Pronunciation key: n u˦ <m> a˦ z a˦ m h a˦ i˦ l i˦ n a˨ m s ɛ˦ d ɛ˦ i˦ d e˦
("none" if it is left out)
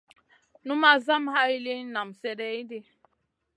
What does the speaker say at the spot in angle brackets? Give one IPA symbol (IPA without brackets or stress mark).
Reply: m